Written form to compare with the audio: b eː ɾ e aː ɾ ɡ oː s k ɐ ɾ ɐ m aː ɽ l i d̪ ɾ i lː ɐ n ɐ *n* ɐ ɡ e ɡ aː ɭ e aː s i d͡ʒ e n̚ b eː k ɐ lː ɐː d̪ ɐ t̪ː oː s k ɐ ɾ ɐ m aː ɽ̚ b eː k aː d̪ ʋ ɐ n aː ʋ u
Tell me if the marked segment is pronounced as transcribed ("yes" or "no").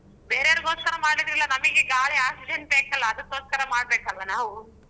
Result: no